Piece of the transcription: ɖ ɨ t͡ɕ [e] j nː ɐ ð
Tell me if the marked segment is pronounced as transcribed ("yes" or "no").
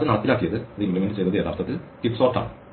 yes